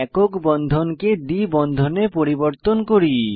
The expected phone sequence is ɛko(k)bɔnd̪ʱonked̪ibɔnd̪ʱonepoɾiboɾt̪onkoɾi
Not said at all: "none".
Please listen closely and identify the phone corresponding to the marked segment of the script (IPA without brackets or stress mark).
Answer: k